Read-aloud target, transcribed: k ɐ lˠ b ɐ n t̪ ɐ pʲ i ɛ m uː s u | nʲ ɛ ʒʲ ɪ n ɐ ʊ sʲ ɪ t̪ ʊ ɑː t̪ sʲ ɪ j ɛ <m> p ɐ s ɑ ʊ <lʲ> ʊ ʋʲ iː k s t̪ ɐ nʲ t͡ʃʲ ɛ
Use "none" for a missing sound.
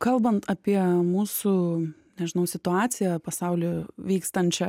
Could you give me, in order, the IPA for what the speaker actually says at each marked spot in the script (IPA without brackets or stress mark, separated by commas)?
none, lʲ